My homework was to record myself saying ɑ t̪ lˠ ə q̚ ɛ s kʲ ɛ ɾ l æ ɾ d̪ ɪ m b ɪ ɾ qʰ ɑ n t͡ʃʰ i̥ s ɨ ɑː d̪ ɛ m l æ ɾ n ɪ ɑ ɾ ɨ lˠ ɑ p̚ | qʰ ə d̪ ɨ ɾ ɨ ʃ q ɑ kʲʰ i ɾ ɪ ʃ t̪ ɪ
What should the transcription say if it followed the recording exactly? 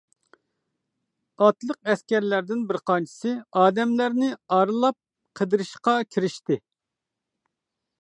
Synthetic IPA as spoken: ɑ t̪ lˠ ə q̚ ɛ s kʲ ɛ ɾ l æ ɾ d̪ ɪ n b ɪ ɾ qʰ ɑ n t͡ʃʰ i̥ s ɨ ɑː d̪ ɛ m l æ ɾ n ɪ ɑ ɾ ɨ lˠ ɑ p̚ | qʰ ə d̪ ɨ ɾ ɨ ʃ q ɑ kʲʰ i ɾ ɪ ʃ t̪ ɪ